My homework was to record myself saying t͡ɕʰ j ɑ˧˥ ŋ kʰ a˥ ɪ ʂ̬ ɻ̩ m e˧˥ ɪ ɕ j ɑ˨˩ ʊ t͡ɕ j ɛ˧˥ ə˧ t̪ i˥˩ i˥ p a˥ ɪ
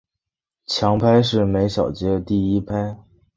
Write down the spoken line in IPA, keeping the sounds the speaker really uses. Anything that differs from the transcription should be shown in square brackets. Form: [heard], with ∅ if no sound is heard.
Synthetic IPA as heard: t͡ɕʰ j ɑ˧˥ ŋ [pʰ] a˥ ɪ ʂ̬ ɻ̩ m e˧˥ ɪ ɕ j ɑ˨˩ ʊ t͡ɕ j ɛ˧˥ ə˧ t̪ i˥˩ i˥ [pʰ] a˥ ɪ